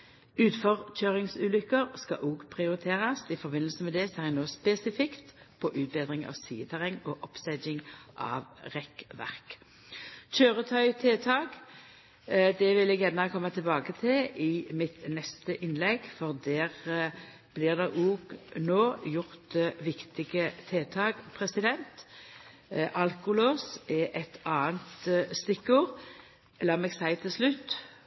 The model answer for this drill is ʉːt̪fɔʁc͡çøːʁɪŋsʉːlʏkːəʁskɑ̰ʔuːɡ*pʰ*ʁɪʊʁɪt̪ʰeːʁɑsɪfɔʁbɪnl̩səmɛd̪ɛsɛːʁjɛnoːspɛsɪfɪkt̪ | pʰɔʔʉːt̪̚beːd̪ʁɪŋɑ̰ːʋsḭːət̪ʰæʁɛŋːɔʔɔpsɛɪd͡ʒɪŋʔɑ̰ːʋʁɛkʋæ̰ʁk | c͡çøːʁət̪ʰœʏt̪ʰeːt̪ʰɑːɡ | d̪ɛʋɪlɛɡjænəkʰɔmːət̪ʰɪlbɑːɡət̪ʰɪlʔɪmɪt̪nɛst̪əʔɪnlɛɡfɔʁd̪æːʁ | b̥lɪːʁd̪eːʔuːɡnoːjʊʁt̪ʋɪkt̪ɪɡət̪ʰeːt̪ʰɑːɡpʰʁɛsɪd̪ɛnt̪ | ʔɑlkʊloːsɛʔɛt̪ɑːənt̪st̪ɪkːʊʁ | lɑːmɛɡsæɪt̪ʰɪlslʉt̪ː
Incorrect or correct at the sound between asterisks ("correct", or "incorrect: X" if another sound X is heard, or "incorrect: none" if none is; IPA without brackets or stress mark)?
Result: correct